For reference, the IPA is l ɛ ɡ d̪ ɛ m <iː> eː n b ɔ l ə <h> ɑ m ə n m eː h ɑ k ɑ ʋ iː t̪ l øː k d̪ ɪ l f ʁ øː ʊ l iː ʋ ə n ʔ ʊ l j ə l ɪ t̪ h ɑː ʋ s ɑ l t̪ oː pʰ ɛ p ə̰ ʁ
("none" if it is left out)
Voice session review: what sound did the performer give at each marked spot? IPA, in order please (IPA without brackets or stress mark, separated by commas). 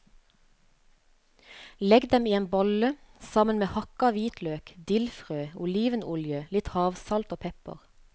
iː, s